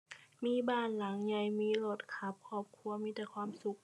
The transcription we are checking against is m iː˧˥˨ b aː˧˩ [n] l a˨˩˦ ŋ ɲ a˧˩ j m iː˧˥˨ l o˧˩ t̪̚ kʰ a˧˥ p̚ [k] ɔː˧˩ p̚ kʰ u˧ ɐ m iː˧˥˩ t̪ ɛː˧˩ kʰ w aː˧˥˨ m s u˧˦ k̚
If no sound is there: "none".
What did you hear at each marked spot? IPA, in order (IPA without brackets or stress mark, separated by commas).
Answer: n, kʰ